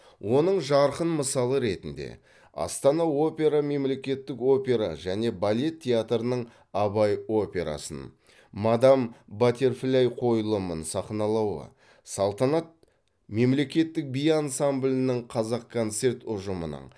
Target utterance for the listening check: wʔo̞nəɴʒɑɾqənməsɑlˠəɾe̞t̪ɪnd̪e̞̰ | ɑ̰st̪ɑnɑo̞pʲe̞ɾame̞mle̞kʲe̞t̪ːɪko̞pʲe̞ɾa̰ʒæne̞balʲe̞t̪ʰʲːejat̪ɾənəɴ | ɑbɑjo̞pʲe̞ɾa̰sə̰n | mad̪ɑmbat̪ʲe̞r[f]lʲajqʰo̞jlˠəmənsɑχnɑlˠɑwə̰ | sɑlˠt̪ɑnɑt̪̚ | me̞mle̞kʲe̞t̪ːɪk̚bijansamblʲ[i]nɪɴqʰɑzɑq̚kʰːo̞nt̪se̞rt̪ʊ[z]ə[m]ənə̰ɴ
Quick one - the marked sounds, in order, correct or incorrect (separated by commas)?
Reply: correct, incorrect, incorrect, correct